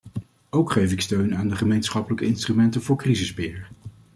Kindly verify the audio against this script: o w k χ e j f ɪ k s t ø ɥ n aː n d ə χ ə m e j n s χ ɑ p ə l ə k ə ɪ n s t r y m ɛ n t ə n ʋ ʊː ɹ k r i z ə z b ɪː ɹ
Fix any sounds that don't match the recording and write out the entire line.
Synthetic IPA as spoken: o w k χ e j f ɪ k s t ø ɥ n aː n d ə χ ə m e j n s χ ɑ p ə l ə k ə ɪ n s t r y m ɛ n t ə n v ʊː ɹ k r i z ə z b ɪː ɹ